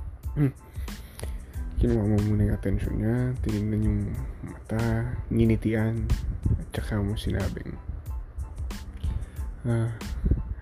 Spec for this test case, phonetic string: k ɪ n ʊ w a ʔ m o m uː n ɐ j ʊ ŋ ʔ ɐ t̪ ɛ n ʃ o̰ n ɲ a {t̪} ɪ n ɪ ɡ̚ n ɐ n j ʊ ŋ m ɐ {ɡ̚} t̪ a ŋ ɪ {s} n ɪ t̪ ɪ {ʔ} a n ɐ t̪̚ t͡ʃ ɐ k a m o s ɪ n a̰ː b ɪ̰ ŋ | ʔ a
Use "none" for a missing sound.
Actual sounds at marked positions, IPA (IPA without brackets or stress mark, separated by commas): t̪, none, none, ʔ